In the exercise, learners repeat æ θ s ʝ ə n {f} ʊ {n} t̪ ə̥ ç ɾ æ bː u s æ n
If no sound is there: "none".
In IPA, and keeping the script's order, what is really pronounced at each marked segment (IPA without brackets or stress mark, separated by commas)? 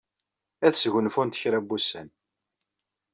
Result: f, n